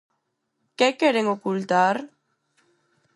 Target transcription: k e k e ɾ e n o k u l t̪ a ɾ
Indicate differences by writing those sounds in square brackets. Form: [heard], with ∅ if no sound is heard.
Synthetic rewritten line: k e k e ɾ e [ŋ] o k u l t̪ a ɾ